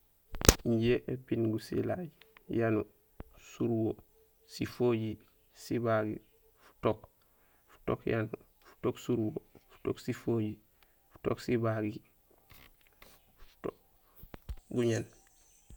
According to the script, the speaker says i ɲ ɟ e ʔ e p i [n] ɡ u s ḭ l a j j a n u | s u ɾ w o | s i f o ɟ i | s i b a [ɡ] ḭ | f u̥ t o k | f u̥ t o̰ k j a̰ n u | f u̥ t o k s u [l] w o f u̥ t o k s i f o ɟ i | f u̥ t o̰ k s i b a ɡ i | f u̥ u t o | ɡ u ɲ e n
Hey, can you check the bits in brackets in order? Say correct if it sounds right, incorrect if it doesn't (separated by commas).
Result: correct, correct, incorrect